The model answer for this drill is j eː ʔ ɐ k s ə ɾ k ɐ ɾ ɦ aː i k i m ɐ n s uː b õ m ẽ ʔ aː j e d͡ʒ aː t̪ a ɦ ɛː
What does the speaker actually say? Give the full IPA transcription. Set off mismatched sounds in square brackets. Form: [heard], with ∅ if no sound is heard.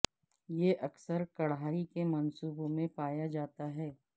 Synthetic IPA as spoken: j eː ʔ ɐ k s ə ɾ k ɐ [ɽ] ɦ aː i k [e] m ɐ n s uː b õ m ẽ [p] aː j [a] d͡ʒ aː t̪ a ɦ ɛː